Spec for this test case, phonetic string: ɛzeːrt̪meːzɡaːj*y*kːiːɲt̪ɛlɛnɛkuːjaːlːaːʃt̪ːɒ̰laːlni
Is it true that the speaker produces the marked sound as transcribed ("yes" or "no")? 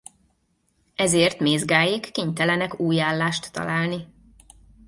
no